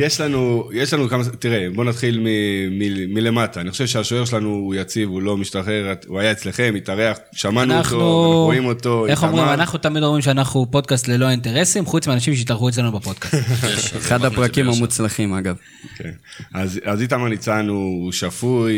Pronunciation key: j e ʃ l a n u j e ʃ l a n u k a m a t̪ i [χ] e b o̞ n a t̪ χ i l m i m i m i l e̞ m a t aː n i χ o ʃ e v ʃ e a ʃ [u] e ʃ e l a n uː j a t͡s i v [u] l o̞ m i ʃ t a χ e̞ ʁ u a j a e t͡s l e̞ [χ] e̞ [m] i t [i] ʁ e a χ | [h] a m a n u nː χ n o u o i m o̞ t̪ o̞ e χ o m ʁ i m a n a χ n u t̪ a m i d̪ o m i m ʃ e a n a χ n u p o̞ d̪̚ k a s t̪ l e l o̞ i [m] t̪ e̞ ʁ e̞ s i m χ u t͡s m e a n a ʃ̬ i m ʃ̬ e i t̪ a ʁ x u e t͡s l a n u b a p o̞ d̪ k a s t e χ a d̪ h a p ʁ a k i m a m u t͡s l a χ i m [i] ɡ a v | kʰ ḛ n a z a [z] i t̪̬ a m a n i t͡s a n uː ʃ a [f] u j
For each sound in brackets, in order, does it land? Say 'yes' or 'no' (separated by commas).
no, no, yes, yes, yes, no, no, no, no, yes, yes